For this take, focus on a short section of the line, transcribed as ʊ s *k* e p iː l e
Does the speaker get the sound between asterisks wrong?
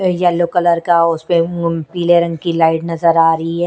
yes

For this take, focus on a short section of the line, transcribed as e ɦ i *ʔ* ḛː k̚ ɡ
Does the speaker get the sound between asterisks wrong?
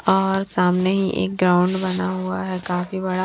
no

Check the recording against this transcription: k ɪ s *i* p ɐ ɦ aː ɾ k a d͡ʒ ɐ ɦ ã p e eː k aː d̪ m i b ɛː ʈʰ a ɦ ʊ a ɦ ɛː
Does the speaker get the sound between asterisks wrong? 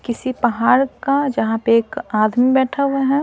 no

